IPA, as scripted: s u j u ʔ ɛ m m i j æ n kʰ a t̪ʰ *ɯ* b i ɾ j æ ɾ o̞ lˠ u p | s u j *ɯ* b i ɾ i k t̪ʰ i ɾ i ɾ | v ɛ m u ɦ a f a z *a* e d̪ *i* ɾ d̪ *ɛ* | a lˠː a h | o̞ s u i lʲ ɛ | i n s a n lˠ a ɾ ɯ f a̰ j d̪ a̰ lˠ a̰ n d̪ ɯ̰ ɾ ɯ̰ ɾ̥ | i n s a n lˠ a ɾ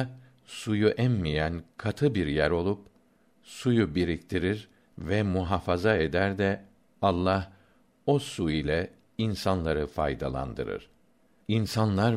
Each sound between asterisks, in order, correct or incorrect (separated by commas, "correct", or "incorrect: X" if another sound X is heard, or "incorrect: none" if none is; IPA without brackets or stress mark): correct, incorrect: u, correct, incorrect: æ, correct